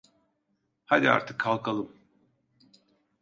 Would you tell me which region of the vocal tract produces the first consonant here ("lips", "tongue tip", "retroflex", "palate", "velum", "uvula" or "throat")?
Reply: throat